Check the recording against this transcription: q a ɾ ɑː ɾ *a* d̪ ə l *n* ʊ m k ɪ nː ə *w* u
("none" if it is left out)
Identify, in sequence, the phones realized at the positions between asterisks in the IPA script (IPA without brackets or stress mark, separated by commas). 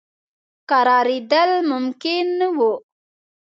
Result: i, m, w